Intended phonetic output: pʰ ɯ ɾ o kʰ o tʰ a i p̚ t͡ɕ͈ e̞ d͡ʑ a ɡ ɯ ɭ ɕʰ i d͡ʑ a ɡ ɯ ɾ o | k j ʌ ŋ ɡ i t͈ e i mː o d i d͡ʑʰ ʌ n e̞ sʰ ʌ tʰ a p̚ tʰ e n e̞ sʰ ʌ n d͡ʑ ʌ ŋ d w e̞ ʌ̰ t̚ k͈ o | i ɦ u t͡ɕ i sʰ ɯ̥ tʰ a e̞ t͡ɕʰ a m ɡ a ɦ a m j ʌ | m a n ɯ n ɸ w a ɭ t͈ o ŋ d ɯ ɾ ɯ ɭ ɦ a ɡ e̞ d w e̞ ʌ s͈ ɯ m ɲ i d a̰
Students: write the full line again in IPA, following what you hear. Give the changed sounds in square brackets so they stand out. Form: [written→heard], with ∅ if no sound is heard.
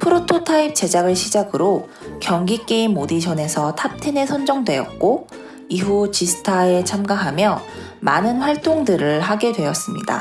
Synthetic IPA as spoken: pʰ ɯ ɾ o [kʰ→tʰ] o tʰ a i p̚ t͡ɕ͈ e̞ d͡ʑ a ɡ ɯ ɭ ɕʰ i d͡ʑ a ɡ ɯ ɾ o | k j ʌ ŋ ɡ i [t͈→k͈] e i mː o d i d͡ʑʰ ʌ n e̞ sʰ ʌ tʰ a p̚ tʰ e n e̞ sʰ ʌ n d͡ʑ ʌ ŋ d w e̞ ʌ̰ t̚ k͈ o | i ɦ u t͡ɕ i sʰ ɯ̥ tʰ a e̞ t͡ɕʰ a m ɡ a ɦ a m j ʌ | m a n ɯ n ɸ w a ɭ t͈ o ŋ d ɯ ɾ ɯ ɭ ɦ a ɡ e̞ d w e̞ ʌ s͈ ɯ m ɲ i d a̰